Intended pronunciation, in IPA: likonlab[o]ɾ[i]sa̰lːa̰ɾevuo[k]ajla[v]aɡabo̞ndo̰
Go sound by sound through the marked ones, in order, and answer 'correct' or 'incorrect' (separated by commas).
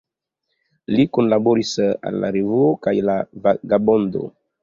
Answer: correct, correct, correct, correct